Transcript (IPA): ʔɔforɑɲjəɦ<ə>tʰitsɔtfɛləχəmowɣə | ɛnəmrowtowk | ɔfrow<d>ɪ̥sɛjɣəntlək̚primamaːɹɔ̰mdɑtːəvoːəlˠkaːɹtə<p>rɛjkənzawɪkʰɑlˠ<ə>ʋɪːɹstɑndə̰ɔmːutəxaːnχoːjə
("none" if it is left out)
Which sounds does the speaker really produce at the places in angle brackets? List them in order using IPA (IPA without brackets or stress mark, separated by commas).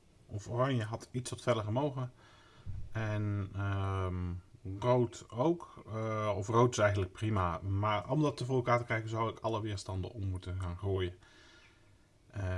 ɑ, t, k, ə